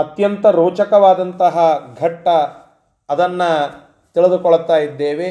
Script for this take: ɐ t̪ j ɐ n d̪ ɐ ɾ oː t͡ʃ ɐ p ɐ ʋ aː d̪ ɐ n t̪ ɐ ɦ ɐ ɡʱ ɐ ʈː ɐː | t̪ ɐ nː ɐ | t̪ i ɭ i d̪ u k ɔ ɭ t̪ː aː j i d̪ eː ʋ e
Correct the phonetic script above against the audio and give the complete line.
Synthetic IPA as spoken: ɐ t̪ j ɐ n t̪ ɐ ɾ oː t͡ʃ ɐ k ɐ ʋ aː d̪ ɐ n t̪ ɐ ɦ ɐ ɡʱ ɐ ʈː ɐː | d̪ ɐ nː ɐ | t̪ i ɭ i d̪ u k ɔ ɭ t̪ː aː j i d̪ː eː ʋ e